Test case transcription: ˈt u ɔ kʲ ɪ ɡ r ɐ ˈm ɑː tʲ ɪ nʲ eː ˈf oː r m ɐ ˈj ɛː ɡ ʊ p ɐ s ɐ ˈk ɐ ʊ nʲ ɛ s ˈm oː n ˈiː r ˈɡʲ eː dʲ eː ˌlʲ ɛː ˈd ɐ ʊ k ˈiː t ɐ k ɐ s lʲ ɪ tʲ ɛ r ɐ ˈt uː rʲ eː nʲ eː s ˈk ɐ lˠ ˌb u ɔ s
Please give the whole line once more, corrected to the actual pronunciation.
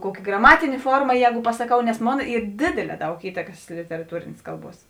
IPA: ˈk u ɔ kʲ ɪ ɡ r ɐ ˈm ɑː tʲ ɪ nʲ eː ˈf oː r m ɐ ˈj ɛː ɡ ʊ p ɐ s ɐ ˈk ɐ ʊ nʲ ɛ s ˈm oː n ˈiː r ˈdʲ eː dʲ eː ˌlʲ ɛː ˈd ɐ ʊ k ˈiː t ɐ k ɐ s lʲ ɪ tʲ ɛ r ɐ ˈt uː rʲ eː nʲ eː s ˈk ɐ lˠ ˌb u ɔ s